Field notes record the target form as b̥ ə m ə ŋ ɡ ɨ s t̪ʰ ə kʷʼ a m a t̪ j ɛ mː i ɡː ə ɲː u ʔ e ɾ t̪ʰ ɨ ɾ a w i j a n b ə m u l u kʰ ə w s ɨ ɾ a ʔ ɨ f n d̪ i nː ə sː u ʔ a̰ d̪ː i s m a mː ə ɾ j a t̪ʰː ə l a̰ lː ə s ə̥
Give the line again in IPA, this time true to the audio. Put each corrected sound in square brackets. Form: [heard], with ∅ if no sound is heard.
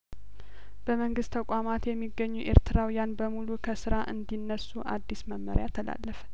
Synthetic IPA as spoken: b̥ ə m ə ŋ ɡ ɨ s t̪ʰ ə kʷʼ a m a t̪ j ɛ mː i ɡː ə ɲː u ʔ e ɾ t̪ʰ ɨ ɾ a w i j a n b ə m u l u kʰ ə [∅] s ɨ ɾ a ʔ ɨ [∅] n d̪ i nː ə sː u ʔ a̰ d̪ː i s m [ə] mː ə ɾ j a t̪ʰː ə l a̰ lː ə [f] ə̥

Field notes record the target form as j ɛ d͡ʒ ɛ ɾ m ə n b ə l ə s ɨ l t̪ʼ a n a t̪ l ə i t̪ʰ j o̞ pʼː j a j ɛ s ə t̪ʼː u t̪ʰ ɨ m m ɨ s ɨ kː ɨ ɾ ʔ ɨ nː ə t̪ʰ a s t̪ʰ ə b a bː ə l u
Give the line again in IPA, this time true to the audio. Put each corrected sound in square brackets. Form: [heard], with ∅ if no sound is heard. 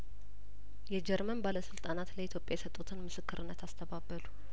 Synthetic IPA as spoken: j ɛ d͡ʒ ɛ ɾ m ə n b [a] l ə s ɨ l t̪ʼ a n a t̪ l ə i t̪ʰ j o̞ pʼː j a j ɛ s ə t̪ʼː u t̪ʰ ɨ [n] m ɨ s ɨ kː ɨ ɾ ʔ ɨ nː ə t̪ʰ a s t̪ʰ ə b a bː ə l u

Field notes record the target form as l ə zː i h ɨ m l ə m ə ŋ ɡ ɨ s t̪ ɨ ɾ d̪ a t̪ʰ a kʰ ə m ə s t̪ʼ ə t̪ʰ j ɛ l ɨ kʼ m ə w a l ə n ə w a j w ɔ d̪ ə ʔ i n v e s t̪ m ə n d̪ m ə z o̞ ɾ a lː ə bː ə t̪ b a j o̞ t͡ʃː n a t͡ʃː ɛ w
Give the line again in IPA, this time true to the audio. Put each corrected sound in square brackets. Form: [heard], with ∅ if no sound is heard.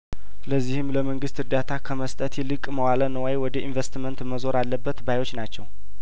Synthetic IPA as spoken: l ə zː i h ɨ m l ə m ə ŋ ɡ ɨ s t̪ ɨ ɾ d̪ a t̪ʰ a kʰ ə m ə s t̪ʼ ə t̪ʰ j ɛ l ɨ kʼ m ə w a l ə n ə w a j w ɔ d̪ ə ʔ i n v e s t̪ m ə n [t̪] m ə z o̞ ɾ a lː ə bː ə t̪ b a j o̞ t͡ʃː n a t͡ʃː ɛ w

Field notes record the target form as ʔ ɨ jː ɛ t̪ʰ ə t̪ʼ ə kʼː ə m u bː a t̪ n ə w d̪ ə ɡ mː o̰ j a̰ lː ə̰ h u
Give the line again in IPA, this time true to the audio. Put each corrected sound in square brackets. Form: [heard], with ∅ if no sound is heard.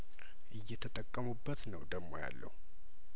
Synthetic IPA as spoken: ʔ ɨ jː ɛ t̪ʰ ə t̪ʼ ə kʼː ə m u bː [ə] t̪ n ə w d̪ ə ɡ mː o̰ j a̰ lː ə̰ h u

